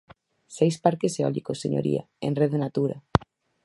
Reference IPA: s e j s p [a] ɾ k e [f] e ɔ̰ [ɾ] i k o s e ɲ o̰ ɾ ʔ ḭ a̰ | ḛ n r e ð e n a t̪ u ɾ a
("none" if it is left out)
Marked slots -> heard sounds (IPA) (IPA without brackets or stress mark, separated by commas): a, s, l